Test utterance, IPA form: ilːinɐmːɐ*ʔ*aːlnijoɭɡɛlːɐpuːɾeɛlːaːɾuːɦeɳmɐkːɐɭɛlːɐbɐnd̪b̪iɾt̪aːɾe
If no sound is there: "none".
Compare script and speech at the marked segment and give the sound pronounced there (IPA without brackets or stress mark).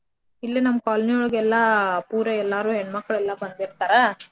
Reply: k